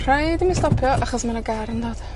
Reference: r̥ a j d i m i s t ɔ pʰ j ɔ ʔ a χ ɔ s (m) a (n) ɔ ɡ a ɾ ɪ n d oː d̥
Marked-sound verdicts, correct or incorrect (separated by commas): correct, correct